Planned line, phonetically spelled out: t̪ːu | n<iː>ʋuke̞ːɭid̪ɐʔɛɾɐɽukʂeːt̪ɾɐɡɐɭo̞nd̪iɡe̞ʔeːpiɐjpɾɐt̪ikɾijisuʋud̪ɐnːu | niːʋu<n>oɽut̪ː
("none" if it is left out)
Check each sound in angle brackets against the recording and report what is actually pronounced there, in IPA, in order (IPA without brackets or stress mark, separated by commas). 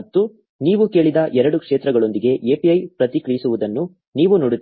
iː, n